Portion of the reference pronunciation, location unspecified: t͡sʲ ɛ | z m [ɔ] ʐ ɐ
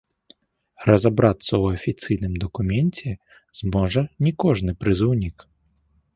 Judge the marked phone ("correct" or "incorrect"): correct